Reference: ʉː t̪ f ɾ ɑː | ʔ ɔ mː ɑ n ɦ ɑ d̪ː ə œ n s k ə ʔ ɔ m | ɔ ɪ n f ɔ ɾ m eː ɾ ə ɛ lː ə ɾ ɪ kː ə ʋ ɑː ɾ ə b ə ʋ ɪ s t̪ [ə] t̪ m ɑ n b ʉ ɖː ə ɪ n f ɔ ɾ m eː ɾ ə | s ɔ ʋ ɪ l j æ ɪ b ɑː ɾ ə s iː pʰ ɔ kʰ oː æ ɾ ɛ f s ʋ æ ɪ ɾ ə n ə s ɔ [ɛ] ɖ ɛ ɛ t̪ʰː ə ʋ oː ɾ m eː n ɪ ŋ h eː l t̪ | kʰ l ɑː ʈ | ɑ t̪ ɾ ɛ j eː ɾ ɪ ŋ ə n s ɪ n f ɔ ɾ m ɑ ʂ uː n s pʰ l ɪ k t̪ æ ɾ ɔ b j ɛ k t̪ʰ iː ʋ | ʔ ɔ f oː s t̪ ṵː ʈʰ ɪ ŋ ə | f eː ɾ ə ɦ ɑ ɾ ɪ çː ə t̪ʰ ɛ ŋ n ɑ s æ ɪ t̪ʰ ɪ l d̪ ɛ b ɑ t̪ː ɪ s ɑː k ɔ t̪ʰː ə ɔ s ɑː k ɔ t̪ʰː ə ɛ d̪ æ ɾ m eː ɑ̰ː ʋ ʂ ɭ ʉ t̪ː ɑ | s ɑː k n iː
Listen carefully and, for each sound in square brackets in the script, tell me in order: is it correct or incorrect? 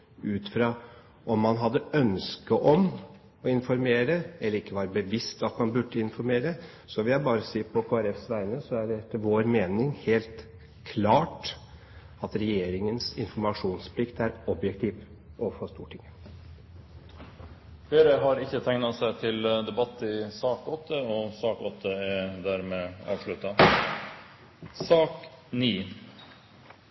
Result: incorrect, incorrect

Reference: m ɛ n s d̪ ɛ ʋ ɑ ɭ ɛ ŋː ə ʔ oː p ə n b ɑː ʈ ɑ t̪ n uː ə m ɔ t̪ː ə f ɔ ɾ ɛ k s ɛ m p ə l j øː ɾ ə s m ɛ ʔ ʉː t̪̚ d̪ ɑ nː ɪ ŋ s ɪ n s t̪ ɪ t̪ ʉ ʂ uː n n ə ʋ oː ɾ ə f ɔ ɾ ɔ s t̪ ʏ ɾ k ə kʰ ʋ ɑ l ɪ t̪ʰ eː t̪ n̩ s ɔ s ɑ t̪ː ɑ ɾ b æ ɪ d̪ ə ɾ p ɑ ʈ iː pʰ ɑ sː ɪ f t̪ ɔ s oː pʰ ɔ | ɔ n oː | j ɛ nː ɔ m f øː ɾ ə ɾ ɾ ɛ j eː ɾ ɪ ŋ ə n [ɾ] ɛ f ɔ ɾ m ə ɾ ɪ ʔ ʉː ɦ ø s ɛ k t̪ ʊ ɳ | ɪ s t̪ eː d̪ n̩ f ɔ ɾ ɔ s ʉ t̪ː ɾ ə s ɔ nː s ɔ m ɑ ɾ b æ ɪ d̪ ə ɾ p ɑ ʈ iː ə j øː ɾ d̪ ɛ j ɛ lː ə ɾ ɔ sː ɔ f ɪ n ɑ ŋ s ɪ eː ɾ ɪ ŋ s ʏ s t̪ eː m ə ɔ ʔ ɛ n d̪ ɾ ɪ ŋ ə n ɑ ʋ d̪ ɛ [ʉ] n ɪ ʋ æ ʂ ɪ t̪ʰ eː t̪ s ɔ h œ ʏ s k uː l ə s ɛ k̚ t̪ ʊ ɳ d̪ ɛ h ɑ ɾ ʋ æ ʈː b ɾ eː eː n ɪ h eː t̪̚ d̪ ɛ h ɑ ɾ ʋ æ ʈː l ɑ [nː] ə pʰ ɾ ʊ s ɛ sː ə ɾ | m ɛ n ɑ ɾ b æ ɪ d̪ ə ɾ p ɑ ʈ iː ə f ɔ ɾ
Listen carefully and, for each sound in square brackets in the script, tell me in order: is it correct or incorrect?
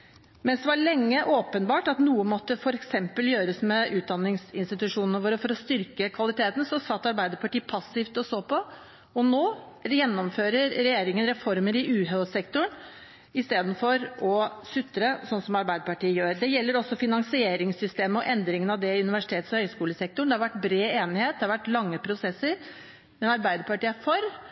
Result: correct, correct, incorrect

